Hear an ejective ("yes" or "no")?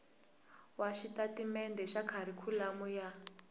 no